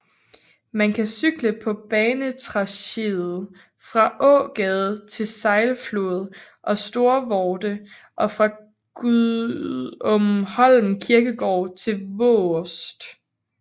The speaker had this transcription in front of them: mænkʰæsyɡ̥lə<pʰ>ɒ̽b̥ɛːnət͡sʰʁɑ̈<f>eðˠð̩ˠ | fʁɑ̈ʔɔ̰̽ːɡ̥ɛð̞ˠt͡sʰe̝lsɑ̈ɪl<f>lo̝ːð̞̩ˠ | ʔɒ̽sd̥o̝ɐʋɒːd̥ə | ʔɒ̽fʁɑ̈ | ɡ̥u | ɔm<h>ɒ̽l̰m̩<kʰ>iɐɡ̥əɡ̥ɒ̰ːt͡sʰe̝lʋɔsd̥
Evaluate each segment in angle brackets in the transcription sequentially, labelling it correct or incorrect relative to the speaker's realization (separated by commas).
correct, incorrect, correct, correct, correct